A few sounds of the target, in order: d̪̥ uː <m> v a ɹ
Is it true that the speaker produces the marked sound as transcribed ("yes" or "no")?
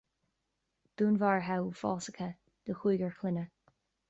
no